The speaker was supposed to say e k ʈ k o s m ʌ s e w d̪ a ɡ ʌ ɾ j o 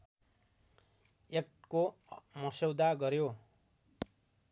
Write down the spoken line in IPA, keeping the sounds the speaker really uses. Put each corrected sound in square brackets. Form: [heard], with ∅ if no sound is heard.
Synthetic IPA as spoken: e k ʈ k o [∅] m ʌ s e w d̪ a ɡ ʌ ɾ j o